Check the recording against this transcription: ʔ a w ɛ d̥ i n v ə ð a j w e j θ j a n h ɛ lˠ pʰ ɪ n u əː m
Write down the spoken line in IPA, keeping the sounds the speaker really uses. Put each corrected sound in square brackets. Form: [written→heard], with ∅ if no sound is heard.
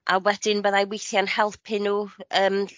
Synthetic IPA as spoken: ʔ a w ɛ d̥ [i→ɪ] n [v→b] ə ð a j w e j θ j a n h ɛ lˠ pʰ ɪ n u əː m